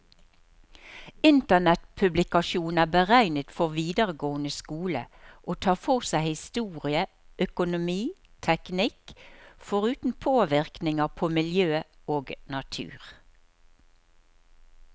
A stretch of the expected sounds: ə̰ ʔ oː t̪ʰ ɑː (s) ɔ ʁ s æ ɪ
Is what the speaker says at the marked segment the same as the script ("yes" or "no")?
no